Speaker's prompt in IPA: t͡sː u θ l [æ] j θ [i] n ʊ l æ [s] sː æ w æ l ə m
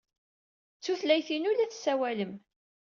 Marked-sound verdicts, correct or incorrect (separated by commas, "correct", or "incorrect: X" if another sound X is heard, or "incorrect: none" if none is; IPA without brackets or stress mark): correct, correct, incorrect: θ